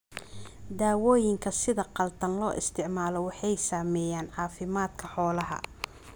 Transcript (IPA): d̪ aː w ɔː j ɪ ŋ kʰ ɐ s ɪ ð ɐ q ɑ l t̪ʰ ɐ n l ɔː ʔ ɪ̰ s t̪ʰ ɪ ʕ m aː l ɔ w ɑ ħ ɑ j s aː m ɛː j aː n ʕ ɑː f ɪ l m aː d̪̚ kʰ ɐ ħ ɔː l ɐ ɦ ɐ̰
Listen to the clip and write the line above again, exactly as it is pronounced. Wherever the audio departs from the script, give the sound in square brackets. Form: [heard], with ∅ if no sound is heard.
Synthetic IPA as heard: d̪ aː w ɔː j ɪ ŋ kʰ ɐ s ɪ ð ɐ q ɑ l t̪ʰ ɐ n l ɔː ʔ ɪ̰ s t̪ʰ ɪ ʕ m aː l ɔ w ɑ ħ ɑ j s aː m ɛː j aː n ʕ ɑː f ɪ [∅] m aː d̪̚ kʰ ɐ ħ ɔː l ɐ ɦ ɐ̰